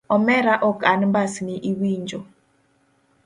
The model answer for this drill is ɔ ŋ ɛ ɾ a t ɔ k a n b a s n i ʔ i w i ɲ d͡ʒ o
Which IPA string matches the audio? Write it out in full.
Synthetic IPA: ɔ m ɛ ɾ a ʔ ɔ k a n b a s n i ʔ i w i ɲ d͡ʒ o